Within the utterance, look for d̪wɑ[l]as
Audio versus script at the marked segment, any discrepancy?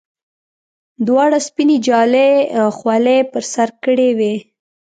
yes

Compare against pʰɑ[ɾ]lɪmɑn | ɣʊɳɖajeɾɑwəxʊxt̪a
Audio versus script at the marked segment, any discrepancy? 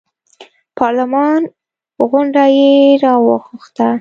no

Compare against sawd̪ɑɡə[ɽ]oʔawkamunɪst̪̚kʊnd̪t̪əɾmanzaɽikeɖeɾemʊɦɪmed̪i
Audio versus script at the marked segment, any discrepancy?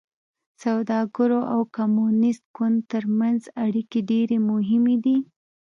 yes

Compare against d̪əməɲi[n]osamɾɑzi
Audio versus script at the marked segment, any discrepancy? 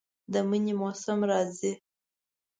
yes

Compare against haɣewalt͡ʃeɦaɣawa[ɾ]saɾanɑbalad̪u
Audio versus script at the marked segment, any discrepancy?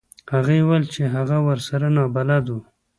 no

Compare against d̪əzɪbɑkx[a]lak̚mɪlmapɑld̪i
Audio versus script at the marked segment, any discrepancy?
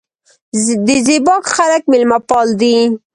no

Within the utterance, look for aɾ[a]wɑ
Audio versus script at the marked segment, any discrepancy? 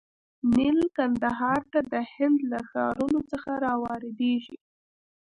yes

